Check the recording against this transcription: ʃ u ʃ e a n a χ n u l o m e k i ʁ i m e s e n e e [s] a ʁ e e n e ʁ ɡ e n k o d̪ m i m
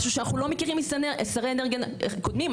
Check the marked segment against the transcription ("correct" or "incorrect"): correct